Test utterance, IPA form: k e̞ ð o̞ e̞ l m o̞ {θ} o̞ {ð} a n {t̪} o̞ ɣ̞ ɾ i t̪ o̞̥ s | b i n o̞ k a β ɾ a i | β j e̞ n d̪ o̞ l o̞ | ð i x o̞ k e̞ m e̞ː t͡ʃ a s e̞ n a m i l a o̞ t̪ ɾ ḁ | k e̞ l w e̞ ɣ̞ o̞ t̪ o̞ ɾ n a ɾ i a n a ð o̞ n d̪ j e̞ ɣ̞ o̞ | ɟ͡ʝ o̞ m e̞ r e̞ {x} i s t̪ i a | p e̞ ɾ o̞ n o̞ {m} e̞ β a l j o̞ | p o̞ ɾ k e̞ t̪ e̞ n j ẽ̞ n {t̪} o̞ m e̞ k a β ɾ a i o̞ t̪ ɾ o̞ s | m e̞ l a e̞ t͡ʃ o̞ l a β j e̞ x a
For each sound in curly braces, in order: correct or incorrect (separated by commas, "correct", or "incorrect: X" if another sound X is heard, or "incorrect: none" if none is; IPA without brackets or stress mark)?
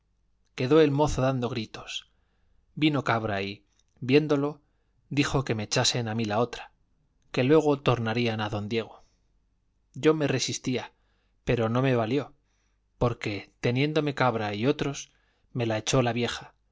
correct, correct, incorrect: d̪, incorrect: s, correct, incorrect: d̪